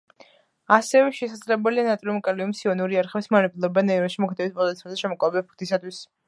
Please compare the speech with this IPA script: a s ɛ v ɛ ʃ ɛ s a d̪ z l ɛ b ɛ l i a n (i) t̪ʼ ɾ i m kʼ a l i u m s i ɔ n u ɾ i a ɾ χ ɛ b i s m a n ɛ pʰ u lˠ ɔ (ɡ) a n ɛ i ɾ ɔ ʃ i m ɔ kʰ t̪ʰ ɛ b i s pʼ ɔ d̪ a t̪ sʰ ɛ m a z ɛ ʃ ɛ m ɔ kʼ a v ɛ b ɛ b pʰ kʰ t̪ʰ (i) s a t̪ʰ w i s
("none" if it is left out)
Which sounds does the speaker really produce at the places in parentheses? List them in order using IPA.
a, b, i

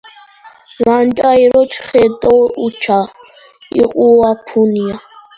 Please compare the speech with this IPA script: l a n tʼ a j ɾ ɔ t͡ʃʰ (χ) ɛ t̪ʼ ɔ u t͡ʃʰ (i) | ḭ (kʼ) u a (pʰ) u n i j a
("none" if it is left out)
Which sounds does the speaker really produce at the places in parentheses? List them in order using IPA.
χ, a, qʼ, pʰ

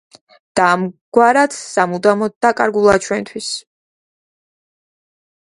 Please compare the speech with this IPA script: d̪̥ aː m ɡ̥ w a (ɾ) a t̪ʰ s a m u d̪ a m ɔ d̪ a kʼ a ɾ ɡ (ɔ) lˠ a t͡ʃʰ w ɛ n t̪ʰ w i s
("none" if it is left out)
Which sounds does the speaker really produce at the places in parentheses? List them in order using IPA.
ɾ, u

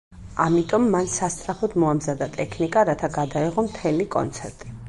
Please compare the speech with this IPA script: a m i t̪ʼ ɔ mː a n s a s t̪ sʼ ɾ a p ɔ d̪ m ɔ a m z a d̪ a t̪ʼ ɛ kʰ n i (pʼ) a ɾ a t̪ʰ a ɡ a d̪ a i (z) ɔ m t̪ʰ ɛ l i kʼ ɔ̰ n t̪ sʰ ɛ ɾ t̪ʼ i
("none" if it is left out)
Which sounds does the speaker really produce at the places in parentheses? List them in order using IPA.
kʼ, ʁ

